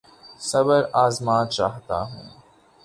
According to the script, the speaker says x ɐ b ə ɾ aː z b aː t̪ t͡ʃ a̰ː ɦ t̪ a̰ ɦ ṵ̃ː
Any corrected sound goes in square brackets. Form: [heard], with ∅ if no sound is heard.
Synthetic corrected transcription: [s] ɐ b ə ɾ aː z [m] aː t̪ t͡ʃ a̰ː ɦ t̪ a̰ ɦ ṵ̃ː

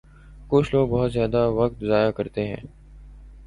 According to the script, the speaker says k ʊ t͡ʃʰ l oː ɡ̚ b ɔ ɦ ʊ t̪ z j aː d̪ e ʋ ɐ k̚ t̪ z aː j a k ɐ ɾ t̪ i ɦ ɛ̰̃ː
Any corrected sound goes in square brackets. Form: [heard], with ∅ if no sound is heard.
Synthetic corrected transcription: k ʊ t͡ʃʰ l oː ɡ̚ b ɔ ɦ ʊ t̪ z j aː d̪ [a] ʋ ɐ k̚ t̪ z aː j a k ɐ ɾ t̪ [e] ɦ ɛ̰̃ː

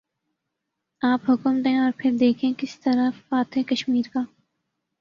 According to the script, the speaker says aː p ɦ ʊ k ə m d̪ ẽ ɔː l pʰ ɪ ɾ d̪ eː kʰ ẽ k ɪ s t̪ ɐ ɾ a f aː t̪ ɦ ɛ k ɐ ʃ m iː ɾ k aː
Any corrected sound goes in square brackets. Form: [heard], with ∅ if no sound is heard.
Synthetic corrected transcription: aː p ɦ ʊ k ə m d̪ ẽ ɔː [ɾ] pʰ ɪ ɾ d̪ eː kʰ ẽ k ɪ s t̪ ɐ ɾ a f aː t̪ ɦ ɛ k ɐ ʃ m iː ɾ k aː

